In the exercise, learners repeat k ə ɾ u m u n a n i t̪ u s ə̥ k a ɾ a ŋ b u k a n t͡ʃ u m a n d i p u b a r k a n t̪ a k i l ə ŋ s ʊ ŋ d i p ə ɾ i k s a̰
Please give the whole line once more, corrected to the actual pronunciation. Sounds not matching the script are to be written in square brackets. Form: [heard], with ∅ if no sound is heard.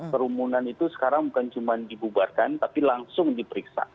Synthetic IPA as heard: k ə ɾ u m u n a n i t̪ u s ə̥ k a ɾ a ŋ b u k a n t͡ʃ u m a n d i [b] u b a r k a n t̪ a [p] i l [a] ŋ s ʊ ŋ d i p ə ɾ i k s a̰